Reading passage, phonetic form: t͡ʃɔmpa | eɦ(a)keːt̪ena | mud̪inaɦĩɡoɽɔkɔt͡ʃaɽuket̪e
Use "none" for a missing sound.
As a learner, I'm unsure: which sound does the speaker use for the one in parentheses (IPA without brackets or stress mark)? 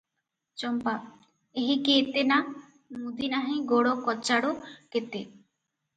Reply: i